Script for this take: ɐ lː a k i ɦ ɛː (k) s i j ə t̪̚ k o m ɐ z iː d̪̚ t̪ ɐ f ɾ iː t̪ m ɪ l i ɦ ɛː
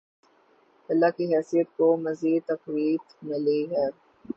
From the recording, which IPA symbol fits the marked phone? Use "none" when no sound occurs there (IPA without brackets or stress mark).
none